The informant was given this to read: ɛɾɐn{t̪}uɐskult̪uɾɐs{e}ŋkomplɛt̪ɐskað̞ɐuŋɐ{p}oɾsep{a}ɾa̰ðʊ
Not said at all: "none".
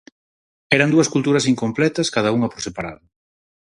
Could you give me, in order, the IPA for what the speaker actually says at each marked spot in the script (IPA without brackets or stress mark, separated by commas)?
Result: d̪, i, p, a